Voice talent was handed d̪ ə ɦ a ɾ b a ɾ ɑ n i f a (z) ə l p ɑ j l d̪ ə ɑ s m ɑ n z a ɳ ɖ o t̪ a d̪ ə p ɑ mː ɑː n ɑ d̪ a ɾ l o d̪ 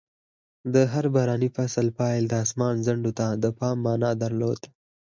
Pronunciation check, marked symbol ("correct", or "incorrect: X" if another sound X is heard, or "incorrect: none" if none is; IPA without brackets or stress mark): incorrect: s